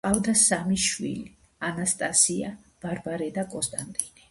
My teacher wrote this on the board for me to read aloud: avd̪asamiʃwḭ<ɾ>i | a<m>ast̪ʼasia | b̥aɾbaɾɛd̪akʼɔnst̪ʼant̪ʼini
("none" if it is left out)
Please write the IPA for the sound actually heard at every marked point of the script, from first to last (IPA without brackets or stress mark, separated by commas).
l, n